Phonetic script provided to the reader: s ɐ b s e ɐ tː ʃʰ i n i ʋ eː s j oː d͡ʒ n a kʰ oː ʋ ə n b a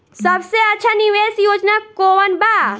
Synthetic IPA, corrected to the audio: s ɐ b s e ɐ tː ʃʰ a n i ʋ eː s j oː d͡ʒ n a k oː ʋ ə n b a